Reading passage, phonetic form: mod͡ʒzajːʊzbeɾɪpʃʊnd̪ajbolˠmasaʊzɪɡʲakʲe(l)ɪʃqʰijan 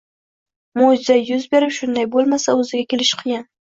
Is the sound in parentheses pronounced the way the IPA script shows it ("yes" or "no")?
yes